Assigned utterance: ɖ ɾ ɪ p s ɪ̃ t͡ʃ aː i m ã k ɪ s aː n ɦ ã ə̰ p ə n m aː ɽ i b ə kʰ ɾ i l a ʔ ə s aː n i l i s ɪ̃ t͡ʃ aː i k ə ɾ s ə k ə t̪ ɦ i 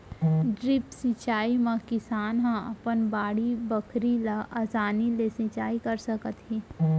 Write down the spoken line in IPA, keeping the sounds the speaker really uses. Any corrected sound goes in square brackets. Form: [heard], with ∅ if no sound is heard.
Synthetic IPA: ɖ ɾ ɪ p s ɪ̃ t͡ʃ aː i m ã k ɪ s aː n ɦ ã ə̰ p ə n [b] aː ɽ i b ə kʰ ɾ i l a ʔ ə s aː n i l [e] s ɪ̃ t͡ʃ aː i k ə ɾ s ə k ə t̪ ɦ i